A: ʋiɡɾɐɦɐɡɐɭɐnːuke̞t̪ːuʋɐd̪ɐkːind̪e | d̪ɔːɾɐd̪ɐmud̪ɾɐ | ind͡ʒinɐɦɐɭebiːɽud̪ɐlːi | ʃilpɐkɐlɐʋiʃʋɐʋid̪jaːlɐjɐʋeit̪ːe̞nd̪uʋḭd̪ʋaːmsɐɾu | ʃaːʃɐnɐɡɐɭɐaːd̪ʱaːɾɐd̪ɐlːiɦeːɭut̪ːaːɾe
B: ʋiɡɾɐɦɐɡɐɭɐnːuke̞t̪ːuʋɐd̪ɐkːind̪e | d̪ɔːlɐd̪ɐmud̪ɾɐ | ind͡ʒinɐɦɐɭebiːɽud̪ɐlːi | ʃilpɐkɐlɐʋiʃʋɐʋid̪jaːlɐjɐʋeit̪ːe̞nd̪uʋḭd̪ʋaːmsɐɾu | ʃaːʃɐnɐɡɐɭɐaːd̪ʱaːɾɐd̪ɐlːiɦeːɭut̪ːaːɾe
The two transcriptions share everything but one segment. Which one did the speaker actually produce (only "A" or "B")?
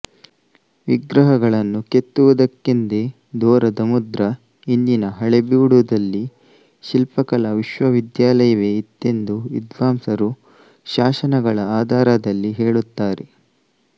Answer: A